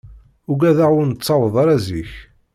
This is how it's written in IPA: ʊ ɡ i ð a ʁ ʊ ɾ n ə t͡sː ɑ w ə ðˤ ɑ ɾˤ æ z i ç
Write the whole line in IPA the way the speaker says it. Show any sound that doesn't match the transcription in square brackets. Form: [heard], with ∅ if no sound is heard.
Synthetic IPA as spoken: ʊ ɡ [æ] ð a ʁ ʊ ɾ n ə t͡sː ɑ w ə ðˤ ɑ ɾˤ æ z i ç

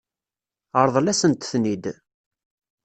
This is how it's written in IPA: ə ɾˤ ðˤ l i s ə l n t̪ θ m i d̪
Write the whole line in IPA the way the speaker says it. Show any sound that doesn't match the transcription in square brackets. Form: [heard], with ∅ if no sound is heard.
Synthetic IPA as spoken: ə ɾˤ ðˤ l [æ] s ə [∅] n t̪ θ [n] i d̪

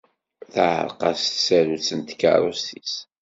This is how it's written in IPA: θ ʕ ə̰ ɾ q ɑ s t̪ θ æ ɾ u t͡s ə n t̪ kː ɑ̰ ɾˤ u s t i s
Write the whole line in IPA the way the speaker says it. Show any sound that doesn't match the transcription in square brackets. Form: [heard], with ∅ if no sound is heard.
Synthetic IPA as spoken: θ ʕ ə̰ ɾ q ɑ s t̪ [s] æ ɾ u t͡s ə n t̪ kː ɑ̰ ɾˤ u s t i s

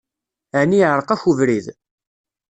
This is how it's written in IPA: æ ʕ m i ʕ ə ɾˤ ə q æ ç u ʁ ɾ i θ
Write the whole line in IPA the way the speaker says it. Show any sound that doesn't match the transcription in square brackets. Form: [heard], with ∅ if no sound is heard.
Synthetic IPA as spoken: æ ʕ [n] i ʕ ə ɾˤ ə q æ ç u [v] ɾ i [ð]

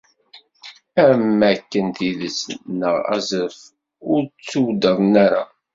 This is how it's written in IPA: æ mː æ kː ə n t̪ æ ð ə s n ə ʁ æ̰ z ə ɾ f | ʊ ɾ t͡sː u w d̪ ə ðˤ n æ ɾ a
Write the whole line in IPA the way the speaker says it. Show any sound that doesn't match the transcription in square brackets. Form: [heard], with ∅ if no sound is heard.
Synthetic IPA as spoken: æ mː æ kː ə n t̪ [i] ð ə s n ə ʁ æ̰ z ə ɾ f | ʊ ɾ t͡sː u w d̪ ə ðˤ n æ ɾ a

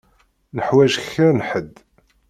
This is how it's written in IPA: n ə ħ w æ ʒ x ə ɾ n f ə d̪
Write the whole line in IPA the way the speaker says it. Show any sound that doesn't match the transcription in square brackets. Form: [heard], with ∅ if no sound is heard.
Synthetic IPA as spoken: n ə ħ w æ ʒ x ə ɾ n [ħ] ə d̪

